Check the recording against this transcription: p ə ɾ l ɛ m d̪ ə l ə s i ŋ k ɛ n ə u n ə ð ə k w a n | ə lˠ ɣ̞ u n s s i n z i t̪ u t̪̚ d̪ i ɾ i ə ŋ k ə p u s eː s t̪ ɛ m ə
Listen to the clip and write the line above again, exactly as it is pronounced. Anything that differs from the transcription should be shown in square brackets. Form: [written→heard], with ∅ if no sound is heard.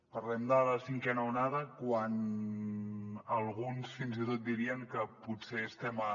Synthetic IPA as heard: p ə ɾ l ɛ m d̪ ə l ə s i ŋ k ɛ n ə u n [ə→a] ð ə k w a n | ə lˠ ɣ̞ u n s [s→f] i n z i t̪ [u→o] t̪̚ d̪ i ɾ i ə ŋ k ə p u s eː s t̪ ɛ m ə